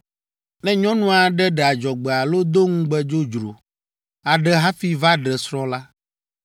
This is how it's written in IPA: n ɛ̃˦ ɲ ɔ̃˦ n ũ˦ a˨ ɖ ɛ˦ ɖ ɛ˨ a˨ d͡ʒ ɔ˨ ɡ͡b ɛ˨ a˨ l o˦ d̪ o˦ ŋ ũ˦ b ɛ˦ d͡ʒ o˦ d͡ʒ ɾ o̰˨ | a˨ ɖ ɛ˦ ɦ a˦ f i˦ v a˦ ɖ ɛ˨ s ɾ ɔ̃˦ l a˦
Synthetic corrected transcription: n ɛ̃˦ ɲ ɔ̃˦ n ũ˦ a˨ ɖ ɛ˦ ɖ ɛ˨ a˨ d͡ʒ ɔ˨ ɡ͡b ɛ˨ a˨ l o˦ d̪ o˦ ŋ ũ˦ ɡ͡b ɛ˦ d͡ʒ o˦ d͡ʒ ɾ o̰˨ | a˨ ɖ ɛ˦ ɦ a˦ f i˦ v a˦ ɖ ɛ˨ s ɾ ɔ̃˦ l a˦